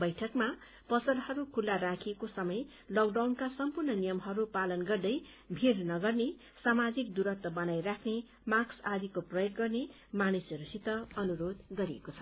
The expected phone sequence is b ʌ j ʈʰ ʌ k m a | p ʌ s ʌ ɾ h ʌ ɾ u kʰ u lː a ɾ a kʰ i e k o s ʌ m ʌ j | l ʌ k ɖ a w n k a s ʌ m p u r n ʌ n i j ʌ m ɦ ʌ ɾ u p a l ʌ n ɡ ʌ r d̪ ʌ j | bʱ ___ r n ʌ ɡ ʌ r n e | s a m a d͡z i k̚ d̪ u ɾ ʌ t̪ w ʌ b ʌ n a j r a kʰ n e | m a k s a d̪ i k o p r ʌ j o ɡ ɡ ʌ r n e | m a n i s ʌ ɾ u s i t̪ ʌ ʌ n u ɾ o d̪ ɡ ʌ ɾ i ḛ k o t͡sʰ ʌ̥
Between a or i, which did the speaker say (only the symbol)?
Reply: i